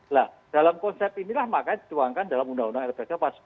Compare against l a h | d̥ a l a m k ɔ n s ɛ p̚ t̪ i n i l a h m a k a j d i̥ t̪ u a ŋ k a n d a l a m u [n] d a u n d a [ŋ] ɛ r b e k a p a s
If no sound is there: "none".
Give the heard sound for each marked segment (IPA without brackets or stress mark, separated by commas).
n, ŋ